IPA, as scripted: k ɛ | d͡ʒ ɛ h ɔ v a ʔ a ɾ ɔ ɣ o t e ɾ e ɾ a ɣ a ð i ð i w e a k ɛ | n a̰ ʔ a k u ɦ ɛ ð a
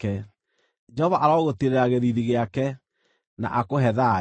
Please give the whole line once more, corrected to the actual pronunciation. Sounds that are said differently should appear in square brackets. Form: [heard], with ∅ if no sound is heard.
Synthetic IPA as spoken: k ɛ | d͡ʒ ɛ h ɔ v a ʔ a ɾ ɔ ɣ o t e ɾ e ɾ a ɣ [e] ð i ð i [ɣ] e a k ɛ | n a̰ ʔ a k [o] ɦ ɛ ð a